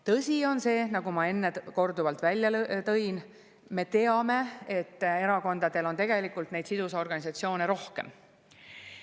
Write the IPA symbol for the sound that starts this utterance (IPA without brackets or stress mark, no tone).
t̪